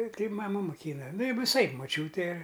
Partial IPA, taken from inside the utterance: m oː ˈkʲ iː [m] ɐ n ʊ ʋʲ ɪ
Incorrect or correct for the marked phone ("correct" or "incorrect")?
incorrect